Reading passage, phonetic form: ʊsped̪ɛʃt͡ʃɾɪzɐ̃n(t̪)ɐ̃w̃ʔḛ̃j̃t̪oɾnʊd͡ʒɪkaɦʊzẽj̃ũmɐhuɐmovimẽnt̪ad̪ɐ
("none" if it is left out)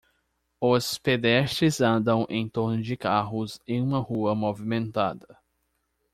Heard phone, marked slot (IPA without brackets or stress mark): d̪